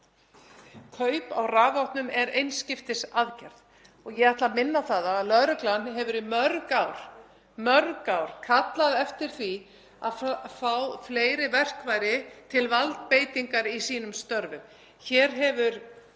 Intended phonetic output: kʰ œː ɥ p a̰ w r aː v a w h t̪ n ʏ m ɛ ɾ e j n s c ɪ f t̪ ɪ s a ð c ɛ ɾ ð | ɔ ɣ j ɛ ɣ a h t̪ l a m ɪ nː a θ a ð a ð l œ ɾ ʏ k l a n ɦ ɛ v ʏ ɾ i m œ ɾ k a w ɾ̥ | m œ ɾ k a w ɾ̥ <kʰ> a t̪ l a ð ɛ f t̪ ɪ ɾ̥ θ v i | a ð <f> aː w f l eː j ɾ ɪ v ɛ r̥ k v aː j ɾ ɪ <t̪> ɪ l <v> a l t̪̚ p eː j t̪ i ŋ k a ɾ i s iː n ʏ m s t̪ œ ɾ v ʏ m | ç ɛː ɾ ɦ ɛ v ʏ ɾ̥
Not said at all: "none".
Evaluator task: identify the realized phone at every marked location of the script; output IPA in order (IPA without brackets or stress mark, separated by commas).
kʰ, f, t̪ʰ, v